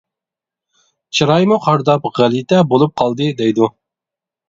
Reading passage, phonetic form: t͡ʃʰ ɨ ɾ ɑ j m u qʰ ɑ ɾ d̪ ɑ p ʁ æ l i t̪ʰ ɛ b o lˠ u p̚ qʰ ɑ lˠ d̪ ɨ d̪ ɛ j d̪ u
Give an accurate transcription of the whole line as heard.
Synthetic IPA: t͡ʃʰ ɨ ɾ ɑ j m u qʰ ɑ ɾ d̪ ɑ p ʁ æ l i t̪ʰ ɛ b o lˠ u p̚ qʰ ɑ lˠ d̪ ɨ d̪ ɛ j d̪ u